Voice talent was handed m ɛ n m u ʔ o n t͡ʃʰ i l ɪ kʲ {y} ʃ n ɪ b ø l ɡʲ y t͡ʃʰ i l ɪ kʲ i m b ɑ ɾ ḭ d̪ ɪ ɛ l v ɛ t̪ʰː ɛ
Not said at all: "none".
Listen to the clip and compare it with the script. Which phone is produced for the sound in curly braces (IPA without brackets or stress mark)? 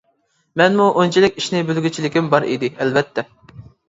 i